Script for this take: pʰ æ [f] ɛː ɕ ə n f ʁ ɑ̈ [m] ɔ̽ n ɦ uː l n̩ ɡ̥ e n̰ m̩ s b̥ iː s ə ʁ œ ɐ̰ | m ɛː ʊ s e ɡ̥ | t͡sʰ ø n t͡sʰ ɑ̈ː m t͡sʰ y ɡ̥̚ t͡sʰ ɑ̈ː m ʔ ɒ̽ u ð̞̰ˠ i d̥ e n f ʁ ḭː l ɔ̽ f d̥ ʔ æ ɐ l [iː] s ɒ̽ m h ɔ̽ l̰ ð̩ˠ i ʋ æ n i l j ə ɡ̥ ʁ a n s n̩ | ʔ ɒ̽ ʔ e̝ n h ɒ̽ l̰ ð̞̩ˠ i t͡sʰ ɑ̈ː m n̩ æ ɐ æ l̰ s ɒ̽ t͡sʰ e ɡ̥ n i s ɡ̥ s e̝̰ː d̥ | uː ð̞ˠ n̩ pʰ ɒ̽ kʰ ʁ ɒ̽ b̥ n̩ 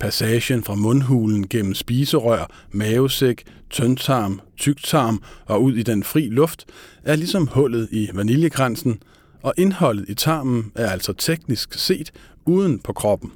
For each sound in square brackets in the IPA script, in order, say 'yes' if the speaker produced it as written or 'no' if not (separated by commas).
no, yes, no